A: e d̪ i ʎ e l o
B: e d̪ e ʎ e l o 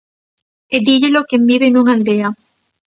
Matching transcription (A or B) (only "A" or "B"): A